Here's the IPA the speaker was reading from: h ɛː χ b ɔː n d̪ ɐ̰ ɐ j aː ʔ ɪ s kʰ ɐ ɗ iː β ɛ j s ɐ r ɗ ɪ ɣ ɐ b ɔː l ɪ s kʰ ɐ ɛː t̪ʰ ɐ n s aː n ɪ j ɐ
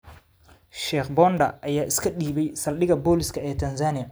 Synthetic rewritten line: ʃ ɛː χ b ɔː n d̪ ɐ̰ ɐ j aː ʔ ɪ s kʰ ɐ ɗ iː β ɛ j s ɐ l ɗ ɪ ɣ ɐ b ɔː l ɪ s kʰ ɐ ɛː t̪ʰ ɐ n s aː n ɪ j ɐ